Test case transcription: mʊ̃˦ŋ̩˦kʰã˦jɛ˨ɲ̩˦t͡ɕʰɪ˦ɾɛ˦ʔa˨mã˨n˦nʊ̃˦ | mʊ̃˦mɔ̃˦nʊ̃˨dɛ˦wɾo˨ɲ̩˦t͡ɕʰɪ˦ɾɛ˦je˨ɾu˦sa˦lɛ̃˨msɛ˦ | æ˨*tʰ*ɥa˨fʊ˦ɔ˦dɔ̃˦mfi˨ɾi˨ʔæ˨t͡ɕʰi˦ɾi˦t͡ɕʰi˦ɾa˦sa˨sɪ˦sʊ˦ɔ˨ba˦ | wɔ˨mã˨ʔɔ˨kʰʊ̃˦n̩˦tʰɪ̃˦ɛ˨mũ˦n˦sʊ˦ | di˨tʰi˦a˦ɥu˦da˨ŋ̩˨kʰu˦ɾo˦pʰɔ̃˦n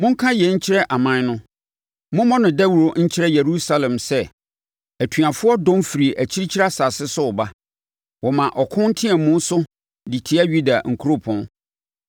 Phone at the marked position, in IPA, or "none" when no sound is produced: tʰ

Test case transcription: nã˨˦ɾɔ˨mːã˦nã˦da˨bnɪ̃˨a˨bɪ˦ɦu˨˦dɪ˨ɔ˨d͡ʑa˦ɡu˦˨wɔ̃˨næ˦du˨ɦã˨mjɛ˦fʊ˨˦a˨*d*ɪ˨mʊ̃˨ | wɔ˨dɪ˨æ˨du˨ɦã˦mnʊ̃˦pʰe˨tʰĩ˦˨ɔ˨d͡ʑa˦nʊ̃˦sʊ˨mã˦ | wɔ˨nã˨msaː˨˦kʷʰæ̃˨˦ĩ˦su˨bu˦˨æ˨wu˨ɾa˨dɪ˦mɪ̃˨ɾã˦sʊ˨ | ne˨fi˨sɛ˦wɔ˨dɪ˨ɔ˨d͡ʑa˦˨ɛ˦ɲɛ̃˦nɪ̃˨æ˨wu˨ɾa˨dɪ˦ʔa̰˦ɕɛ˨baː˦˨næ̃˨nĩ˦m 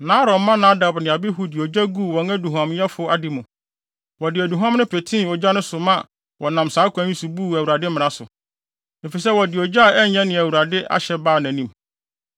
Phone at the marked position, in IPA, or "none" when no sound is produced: d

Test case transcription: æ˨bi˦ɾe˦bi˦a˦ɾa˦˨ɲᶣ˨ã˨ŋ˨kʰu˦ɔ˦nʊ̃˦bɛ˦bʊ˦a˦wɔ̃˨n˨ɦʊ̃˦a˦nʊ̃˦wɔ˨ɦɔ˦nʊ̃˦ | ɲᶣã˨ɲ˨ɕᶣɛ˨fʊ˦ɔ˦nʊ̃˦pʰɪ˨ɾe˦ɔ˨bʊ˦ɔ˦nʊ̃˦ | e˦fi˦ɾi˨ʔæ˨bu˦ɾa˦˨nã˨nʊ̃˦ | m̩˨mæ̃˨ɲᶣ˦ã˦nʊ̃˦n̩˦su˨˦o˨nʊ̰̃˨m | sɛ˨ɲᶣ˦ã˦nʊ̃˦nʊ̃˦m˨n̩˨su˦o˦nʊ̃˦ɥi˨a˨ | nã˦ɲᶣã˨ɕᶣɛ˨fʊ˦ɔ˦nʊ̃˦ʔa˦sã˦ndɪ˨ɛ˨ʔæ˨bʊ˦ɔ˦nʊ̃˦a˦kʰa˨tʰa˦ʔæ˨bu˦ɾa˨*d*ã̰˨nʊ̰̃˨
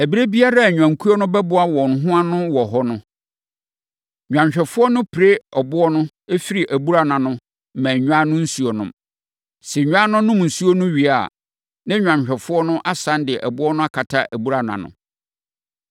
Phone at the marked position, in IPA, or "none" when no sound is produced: n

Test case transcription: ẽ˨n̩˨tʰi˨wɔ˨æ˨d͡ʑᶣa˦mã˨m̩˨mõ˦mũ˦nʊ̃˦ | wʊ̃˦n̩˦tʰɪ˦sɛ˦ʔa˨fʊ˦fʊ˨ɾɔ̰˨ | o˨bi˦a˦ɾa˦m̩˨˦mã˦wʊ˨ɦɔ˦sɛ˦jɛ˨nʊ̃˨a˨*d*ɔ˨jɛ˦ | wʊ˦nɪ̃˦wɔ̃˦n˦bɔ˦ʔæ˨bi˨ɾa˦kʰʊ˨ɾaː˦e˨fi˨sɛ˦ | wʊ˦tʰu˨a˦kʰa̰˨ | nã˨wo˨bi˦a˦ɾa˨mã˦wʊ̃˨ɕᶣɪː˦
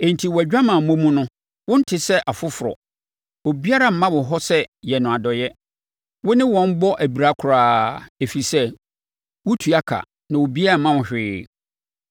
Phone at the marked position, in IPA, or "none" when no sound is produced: d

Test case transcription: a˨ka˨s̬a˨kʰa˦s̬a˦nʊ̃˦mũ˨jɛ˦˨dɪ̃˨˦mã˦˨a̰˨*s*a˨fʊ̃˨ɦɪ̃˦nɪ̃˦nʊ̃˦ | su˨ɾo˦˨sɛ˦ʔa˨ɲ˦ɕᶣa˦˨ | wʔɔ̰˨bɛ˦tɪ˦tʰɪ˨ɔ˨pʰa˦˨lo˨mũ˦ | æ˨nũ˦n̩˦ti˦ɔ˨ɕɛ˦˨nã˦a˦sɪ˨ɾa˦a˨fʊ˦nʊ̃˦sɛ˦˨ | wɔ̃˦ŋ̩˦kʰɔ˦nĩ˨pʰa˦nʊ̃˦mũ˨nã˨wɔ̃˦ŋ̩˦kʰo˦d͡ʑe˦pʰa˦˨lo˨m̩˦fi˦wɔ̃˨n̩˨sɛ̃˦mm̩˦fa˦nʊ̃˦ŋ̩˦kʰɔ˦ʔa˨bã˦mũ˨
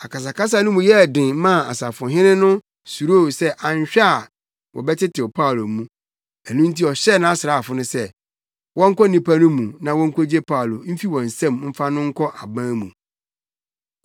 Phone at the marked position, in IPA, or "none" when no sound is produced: s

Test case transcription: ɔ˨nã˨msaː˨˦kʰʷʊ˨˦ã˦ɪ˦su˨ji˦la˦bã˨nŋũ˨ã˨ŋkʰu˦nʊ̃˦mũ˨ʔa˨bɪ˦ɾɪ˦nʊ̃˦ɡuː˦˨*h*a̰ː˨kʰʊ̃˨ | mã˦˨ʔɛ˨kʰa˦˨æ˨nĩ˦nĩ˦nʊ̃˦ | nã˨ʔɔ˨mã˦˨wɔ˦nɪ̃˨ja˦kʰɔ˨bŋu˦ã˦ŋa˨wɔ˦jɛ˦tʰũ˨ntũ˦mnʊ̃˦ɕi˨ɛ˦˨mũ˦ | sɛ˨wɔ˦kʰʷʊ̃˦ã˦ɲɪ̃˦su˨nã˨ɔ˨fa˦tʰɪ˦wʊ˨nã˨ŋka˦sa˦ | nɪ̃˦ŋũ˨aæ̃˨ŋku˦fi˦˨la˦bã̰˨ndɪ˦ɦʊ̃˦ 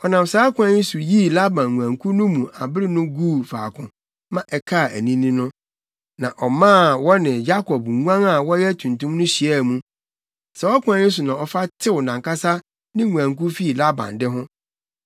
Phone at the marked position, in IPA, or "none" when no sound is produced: f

